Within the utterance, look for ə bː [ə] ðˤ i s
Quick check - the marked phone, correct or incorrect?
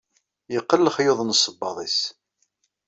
incorrect